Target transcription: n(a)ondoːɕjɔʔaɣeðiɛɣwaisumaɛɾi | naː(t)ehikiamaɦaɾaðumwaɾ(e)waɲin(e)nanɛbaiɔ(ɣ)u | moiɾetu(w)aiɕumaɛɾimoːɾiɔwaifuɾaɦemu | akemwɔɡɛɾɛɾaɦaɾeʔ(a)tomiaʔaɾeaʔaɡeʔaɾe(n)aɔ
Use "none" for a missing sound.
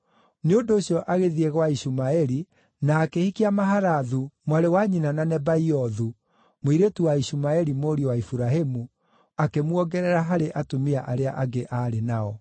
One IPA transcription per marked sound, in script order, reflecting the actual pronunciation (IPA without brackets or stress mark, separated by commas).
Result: e, k, e, a, ð, w, a, n